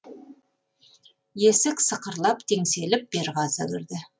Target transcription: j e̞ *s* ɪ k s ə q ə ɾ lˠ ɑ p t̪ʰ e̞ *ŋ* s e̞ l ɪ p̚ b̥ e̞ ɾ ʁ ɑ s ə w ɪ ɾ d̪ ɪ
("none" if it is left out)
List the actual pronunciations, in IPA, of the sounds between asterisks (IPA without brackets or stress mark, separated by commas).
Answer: s, ŋ